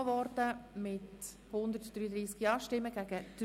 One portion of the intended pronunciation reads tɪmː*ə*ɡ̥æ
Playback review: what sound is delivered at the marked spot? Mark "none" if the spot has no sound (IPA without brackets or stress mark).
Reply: ə